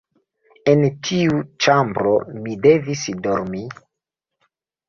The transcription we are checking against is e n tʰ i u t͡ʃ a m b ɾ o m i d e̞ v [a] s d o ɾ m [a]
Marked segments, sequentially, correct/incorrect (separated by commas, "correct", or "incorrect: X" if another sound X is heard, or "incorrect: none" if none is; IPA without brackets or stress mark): incorrect: i, incorrect: i